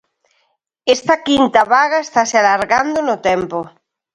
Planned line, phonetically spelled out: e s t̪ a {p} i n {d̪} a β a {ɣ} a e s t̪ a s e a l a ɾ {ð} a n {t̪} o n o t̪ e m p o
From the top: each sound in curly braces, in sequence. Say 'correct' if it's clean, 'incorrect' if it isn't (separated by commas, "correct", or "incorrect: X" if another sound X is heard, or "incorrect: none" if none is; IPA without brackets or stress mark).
incorrect: k, incorrect: t̪, correct, incorrect: ɣ, incorrect: d̪